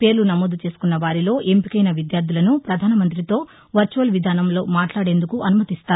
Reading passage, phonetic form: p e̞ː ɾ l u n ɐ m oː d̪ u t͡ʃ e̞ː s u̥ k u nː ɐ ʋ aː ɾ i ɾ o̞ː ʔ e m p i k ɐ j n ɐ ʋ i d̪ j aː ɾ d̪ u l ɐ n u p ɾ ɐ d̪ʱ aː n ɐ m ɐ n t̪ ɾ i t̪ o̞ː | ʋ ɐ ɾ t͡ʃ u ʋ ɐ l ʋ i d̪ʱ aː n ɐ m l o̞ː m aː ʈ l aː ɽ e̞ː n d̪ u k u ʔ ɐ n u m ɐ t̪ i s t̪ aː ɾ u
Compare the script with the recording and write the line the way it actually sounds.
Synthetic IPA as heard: p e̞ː ɾ l u n ɐ m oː d̪ u t͡ʃ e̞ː s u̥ k u nː ɐ ʋ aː ɾ i l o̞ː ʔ e m p i k ɐ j n ɐ ʋ i d̪ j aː ɾ d̪ u l ɐ n u p ɾ ɐ d̪ʱ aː n ɐ m ɐ n t̪ ɾ i t̪ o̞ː | ʋ ɐ ɾ t͡ʃ u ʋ ɐ l ʋ i d̪ʱ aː n ɐ m l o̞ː m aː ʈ l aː ɽ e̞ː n d̪ u k u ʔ ɐ n u m ɐ t̪ i s t̪ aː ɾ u